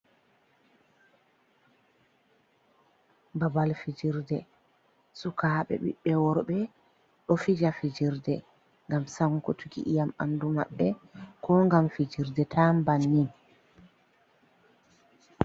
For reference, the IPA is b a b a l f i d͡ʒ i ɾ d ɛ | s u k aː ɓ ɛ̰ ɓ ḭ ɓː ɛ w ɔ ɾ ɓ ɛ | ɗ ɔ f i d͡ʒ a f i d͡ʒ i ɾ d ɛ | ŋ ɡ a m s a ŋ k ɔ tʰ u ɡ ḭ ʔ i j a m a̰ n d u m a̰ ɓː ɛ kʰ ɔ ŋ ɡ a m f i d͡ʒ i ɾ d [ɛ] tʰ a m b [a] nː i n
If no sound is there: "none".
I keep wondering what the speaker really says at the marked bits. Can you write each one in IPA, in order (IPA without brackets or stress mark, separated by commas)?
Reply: ɛ, a